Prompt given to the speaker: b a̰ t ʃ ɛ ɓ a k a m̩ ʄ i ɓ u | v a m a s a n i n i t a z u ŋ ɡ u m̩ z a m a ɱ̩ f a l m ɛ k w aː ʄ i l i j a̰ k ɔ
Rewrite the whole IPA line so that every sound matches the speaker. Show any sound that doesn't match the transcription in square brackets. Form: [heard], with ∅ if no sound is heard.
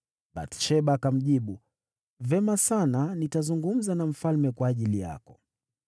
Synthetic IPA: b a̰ t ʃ ɛ ɓ a k a m̩ ʄ i ɓ u | v [ɛ] m a s a n [a] n i t a z u ŋ ɡ u m̩ z a [n] a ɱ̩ f a l m ɛ k w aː ʄ i l i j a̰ k ɔ